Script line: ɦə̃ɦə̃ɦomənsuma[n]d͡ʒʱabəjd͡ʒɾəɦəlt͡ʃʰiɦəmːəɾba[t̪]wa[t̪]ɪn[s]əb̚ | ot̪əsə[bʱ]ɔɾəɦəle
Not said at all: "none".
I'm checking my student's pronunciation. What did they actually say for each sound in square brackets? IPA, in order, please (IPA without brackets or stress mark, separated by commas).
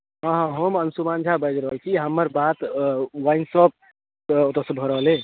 n, t̪, none, s, bʱ